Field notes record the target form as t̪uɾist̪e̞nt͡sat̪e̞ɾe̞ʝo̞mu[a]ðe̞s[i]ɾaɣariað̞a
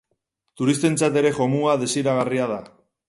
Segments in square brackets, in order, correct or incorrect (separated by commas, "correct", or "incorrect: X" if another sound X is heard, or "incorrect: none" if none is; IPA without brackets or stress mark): correct, correct